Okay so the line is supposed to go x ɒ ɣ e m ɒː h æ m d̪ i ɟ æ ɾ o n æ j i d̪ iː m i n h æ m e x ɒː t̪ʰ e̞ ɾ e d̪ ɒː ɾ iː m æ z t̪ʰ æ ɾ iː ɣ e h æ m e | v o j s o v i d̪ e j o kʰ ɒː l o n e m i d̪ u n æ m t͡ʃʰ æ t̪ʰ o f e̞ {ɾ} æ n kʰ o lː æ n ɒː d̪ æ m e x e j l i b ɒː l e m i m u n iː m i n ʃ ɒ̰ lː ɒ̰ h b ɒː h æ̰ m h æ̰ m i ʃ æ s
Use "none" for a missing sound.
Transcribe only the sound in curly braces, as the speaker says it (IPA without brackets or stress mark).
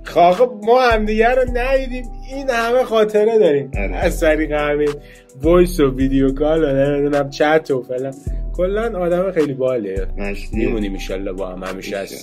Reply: l